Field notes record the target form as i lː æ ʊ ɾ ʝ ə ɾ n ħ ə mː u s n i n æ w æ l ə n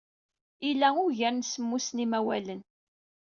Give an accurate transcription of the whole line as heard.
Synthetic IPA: i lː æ ʊ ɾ ʝ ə ɾ n s ə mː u s n i m æ w æ l ə n